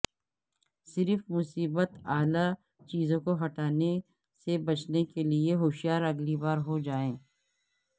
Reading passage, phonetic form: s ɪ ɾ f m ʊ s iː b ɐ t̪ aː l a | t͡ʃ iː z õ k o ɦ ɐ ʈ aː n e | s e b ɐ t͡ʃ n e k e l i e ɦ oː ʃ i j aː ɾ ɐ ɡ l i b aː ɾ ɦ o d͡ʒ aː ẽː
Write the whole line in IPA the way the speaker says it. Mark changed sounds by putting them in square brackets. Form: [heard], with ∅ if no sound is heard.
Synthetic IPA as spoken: s ɪ ɾ f m ʊ s iː b [ə] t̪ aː l a | t͡ʃ iː z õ k o ɦ ɐ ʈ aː n e | s e b ɐ t͡ʃ n e k e l i e ɦ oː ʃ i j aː ɾ ɐ ɡ l i b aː ɾ ɦ o d͡ʒ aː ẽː

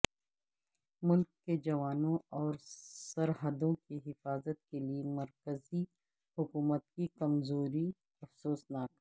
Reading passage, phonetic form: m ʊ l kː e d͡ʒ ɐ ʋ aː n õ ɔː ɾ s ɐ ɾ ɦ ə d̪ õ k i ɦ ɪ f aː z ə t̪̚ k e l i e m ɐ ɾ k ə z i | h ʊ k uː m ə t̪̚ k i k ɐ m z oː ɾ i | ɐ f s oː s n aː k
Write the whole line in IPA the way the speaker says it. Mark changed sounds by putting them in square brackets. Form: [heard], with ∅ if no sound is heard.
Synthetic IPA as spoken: m ʊ l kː e d͡ʒ ɐ ʋ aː n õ ɔː ɾ s ɐ ɾ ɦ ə d̪ õ k i ɦ ɪ f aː z ə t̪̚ k e l i e m ɐ ɾ k ə z i | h ʊ k uː m ə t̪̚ k i k ɐ m z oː ɾ i | ɐ f s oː s n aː k

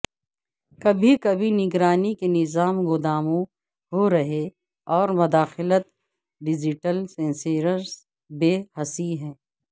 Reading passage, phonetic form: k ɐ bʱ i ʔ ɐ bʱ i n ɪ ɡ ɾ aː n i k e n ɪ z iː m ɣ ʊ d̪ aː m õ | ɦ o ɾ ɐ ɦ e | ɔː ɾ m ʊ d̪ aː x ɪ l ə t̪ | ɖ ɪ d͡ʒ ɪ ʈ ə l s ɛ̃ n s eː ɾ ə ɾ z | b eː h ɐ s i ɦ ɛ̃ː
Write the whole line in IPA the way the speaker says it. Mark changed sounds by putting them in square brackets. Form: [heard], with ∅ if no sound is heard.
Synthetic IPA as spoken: k ɐ bʱ i [k] ɐ bʱ i n ɪ ɡ ɾ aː n i k e n ɪ z [aː] m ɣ ʊ d̪ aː m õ | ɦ o ɾ ɐ ɦ e | ɔː ɾ m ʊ d̪ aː x ɪ l ə t̪ | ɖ ɪ d͡ʒ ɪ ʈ ə l s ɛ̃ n s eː ɾ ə ɾ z | b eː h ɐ s i ɦ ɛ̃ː

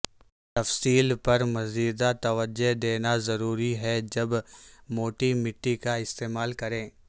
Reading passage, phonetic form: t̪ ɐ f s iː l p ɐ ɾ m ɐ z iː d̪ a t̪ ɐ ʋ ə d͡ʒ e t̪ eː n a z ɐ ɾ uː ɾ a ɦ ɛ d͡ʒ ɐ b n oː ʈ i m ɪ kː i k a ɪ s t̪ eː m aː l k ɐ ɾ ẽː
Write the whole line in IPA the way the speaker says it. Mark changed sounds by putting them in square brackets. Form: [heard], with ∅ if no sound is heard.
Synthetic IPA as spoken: t̪ ɐ f s iː l p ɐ ɾ m ɐ z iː d̪ a t̪ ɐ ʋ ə d͡ʒ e [d̪] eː n a z ɐ ɾ uː ɾ [i] ɦ ɛ d͡ʒ ɐ b [m] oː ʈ i m ɪ [ʈː] i k a ɪ s t̪ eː m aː l k ɐ ɾ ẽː

